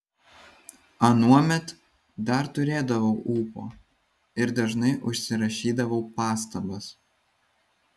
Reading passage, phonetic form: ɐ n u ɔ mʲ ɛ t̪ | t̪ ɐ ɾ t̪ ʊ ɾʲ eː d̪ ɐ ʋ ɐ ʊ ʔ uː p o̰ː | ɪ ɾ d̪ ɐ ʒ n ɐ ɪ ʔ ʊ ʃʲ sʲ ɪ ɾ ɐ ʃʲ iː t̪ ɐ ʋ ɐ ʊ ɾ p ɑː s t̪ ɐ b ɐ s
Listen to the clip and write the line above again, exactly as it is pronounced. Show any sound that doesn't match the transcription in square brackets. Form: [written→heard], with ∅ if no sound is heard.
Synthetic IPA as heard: ɐ n u ɔ mʲ ɛ t̪ | [t̪→d̪] ɐ ɾ t̪ ʊ ɾʲ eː d̪ ɐ ʋ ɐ ʊ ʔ uː p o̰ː | ɪ ɾ d̪ ɐ ʒ n ɐ ɪ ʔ ʊ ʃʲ sʲ ɪ ɾ ɐ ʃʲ iː [t̪→d̪] ɐ ʋ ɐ ʊ [ɾ→∅] p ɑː s t̪ ɐ b ɐ s